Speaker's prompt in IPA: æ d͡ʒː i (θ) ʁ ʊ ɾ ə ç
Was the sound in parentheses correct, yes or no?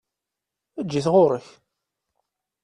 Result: yes